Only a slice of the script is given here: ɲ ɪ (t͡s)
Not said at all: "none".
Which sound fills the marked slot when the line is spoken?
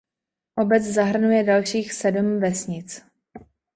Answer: t͡s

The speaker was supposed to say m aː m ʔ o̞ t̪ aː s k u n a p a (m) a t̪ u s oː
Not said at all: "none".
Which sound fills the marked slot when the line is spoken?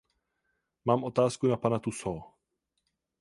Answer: n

